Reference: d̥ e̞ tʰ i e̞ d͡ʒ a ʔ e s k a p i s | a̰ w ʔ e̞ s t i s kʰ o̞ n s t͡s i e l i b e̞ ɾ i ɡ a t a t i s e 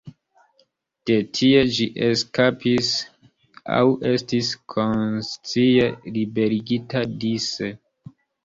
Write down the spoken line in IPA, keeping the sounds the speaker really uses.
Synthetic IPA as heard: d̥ e̞ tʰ i e̞ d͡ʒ i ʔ e s k a p i s | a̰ w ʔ e̞ s t i s kʰ o̞ n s t͡s i e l i b e̞ ɾ i ɡ i t a d i s e